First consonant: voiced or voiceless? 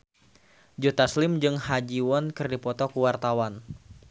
voiced